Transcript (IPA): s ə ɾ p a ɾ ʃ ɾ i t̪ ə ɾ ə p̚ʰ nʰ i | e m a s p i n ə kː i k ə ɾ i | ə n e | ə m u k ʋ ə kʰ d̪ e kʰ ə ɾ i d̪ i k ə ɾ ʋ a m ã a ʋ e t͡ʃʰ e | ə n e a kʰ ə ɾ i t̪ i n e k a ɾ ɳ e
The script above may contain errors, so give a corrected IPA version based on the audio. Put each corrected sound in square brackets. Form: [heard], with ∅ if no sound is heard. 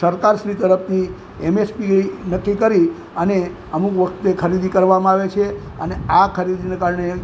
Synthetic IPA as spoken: s ə ɾ [k] a ɾ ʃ ɾ i t̪ ə ɾ ə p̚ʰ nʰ i | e m [e] s p i n ə kː i k ə ɾ i | ə n e | ə m u k ʋ ə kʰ [t̪] e kʰ ə ɾ i d̪ i k ə ɾ ʋ a m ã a ʋ e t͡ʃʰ e | ə n e a kʰ ə ɾ i [d̪] i n e k a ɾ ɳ e